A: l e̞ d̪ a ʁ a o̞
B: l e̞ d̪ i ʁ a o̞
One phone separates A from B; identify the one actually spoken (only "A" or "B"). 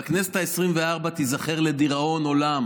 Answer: B